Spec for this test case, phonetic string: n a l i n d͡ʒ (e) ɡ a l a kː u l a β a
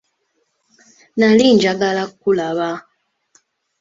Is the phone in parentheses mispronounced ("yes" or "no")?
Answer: yes